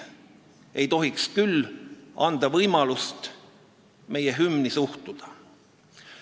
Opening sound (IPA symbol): e̞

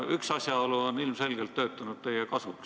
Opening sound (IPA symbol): y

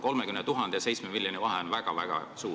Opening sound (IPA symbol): k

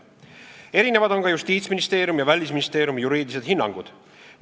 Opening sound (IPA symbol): e̞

